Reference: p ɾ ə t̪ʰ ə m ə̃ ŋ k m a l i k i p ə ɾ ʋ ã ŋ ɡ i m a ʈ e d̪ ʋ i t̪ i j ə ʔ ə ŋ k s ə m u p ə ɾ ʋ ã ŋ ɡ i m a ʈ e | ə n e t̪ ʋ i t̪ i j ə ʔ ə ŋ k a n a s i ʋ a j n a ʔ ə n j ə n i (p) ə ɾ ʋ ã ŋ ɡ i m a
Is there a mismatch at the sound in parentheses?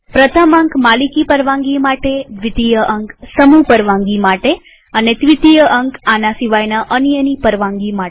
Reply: no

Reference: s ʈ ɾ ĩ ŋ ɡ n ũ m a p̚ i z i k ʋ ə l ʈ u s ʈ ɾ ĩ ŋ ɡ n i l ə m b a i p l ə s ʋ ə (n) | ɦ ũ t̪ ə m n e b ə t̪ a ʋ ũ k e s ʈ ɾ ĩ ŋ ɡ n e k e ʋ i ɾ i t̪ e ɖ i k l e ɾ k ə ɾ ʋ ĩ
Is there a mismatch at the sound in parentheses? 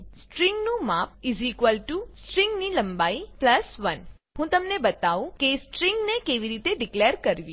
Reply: no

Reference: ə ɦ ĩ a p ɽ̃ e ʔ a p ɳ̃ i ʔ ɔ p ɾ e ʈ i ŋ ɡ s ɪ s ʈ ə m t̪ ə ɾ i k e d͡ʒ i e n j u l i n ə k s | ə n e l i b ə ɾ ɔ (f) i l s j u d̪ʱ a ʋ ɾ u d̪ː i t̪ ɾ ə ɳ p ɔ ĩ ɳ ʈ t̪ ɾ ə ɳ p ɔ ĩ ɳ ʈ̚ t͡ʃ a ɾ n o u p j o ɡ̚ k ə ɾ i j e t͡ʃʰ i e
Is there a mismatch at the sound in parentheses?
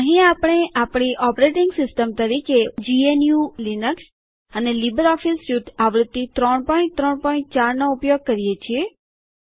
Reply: no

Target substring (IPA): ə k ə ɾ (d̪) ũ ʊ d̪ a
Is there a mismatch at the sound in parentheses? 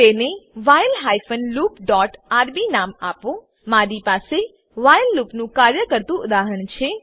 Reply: yes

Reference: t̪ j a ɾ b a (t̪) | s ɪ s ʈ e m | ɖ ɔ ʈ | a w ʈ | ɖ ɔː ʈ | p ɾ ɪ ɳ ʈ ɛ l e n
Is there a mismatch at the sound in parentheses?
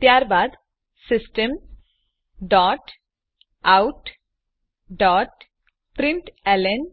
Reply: yes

